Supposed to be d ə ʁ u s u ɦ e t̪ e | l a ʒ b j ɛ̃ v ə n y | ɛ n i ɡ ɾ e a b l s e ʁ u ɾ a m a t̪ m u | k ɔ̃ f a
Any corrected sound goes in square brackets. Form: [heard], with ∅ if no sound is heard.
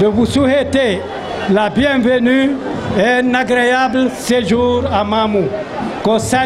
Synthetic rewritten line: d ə [v] u s u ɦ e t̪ e | l a [∅] b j ɛ̃ v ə n y | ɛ n [a] ɡ ɾ e a b l s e [ʒ] u ɾ a m a [∅] m u | k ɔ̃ [s] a

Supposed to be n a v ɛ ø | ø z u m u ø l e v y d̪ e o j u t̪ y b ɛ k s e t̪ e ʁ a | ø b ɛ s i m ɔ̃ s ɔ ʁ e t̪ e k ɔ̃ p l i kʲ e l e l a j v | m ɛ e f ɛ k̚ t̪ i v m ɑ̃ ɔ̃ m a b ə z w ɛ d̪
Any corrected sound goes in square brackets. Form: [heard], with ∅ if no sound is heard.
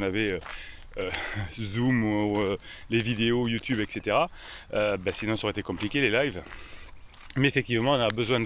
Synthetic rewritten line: n a v ɛ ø | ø z u m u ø l e v [i] d̪ e o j u t̪ y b ɛ k s e t̪ e ʁ a | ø b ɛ s i [n] ɔ̃ s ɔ ʁ e t̪ e k ɔ̃ p l i kʲ e l e l a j v | m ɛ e f ɛ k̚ t̪ i v m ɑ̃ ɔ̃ [n] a b ə z w [ɛ̃] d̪

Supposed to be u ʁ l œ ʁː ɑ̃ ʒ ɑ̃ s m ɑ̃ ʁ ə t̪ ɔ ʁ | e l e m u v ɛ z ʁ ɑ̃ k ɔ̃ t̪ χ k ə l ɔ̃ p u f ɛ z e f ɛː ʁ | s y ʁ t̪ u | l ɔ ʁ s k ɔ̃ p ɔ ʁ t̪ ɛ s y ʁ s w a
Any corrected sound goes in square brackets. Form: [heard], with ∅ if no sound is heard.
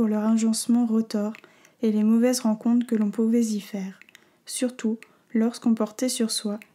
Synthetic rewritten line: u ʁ l œ [ʁ] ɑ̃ ʒ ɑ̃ s m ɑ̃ ʁ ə t̪ ɔ ʁ | e l e m [ɔ] v ɛ z ʁ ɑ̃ k ɔ̃ t̪ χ k ə l ɔ̃ p u [v] ɛ z [i] f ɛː ʁ | s y ʁ t̪ u | l ɔ ʁ s k ɔ̃ p ɔ ʁ t̪ ɛ s y ʁ s w a

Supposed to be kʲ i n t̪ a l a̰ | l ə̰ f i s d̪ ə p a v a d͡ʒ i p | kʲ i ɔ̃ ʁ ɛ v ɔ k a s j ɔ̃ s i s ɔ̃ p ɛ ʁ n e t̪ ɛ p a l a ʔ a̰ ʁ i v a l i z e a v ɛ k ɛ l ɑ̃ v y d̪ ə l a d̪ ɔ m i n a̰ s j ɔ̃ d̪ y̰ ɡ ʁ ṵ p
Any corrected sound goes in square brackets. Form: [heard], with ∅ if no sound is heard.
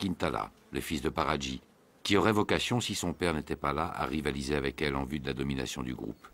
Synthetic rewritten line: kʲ i n t̪ a l a̰ | l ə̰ f i s d̪ ə p a [ʁ] a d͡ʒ i [∅] | kʲ i [ɔ] ʁ ɛ v ɔ k a s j ɔ̃ s i s ɔ̃ p ɛ ʁ n e t̪ ɛ p a l a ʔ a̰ ʁ i v a l i z e a v ɛ k ɛ l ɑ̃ v y d̪ ə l a d̪ ɔ m i n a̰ s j ɔ̃ d̪ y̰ ɡ ʁ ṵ p

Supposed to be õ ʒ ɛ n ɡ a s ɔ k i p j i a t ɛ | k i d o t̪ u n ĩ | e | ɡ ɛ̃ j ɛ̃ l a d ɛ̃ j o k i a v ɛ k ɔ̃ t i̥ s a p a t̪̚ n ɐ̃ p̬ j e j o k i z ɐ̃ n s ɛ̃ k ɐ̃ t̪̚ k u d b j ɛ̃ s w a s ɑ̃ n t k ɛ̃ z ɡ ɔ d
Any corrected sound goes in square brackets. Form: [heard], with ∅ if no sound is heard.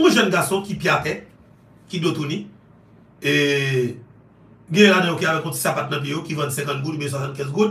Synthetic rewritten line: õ ʒ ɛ n ɡ a s [ɔ̃] k i p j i a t ɛ | k i d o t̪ u n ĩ | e | ɡ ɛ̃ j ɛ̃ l a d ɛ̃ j o k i a v ɛ k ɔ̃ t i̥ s a p a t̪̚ n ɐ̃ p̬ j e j o k i [v] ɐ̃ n s ɛ̃ k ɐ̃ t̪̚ [ɡ] u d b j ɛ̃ s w a s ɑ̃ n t k ɛ̃ z ɡ [u] d

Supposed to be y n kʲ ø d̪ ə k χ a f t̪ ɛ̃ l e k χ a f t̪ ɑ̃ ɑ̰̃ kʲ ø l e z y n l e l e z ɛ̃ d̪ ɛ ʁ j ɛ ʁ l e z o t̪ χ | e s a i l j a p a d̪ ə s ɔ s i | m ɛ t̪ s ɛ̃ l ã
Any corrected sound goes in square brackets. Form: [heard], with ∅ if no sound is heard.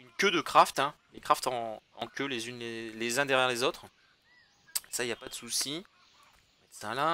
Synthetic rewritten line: y n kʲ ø d̪ ə k χ a f t̪ ɛ̃ l e k χ a f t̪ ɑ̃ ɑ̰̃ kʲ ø l e z y n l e l e z ɛ̃ d̪ ɛ ʁ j ɛ ʁ l e z o t̪ χ | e s a i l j a p a d̪ ə s [u] s i | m ɛ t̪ s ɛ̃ l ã

